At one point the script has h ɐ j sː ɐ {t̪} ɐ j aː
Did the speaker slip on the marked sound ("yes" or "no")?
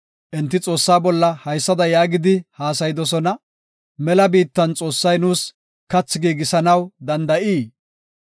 yes